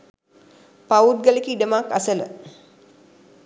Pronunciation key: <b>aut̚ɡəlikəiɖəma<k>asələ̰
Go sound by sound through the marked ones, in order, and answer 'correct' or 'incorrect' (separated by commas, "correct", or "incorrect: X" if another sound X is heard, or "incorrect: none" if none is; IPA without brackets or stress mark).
incorrect: p, correct